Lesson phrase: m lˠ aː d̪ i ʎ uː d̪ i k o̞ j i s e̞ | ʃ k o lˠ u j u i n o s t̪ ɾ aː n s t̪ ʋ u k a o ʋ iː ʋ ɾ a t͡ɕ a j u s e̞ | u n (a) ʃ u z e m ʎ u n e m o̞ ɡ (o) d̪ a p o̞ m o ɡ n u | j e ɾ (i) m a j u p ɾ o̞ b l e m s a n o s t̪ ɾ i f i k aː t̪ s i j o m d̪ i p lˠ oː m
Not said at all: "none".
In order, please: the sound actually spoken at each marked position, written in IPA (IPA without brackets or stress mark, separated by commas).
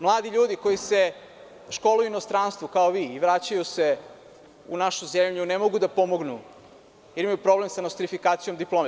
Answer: a, u, i